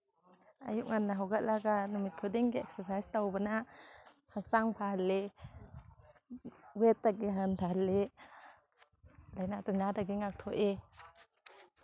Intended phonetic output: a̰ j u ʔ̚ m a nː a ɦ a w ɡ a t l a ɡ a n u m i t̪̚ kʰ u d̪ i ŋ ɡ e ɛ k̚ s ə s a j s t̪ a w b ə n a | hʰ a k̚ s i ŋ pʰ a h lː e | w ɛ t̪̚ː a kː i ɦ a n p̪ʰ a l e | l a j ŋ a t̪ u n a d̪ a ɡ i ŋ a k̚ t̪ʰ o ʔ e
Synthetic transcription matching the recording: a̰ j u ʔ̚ ŋ a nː a ɦ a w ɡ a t l a ɡ a n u m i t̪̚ kʰ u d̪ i ŋ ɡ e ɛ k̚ s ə s a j s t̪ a w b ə n a | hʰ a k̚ s a ŋ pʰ a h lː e | w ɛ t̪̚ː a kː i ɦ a n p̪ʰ a l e | l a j n a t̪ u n a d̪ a ɡ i ŋ a k̚ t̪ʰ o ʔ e